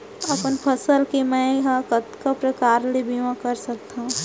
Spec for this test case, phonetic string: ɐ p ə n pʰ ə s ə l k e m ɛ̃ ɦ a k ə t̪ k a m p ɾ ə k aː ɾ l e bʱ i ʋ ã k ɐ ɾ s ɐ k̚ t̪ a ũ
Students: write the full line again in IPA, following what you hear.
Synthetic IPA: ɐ p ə n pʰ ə s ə l k e m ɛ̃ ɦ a k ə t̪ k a p ɾ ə k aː ɾ l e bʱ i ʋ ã k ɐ ɾ s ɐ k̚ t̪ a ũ